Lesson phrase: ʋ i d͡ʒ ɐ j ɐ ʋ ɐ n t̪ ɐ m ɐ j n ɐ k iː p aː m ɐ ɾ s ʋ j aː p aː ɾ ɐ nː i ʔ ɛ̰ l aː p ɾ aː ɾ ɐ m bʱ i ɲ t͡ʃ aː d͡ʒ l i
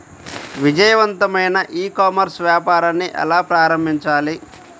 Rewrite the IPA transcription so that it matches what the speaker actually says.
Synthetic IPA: ʋ i d͡ʒ ɐ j ɐ ʋ ɐ n t̪ ɐ m ɐ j n ɐ ʔ iː k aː m ɐ ɾ s ʋ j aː p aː ɾ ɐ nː i ʔ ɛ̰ l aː p ɾ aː ɾ ɐ m bʱ i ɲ t͡ʃ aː l i